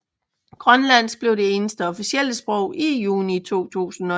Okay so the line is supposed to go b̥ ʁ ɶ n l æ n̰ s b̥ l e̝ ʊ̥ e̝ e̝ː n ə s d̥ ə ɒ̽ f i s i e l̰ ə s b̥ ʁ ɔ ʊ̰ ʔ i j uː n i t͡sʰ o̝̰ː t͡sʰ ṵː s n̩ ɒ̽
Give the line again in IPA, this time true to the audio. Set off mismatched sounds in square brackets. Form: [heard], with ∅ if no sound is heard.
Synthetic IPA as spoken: [ɡ̥] ʁ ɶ n l æ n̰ s b̥ l e̝ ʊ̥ e̝ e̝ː n ə s d̥ ə ɒ̽ f i s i e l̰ ə s b̥ ʁ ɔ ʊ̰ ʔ i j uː n i t͡sʰ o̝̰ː t͡sʰ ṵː s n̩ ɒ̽